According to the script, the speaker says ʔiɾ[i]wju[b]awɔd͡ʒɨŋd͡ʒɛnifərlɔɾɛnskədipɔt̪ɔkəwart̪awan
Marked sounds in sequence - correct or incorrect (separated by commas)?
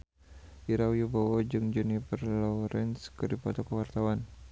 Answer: incorrect, correct